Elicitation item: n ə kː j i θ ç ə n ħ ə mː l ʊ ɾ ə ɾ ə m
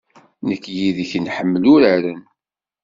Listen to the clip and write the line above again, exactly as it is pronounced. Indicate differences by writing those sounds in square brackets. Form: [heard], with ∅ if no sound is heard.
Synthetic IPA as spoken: n ə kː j i [ð] ç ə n ħ ə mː l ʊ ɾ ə ɾ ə [n]